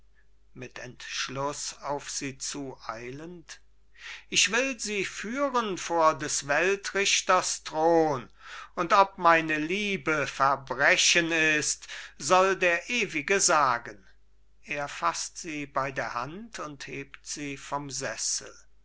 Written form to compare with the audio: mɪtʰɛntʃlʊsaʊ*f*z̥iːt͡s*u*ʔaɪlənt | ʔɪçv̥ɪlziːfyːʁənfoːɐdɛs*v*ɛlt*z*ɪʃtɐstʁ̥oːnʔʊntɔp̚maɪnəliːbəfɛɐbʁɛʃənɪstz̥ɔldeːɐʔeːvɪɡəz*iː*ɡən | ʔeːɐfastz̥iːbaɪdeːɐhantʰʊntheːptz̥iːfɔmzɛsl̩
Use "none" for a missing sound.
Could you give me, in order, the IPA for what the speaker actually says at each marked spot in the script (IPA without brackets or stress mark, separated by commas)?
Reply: f, uː, v, ʁ, aː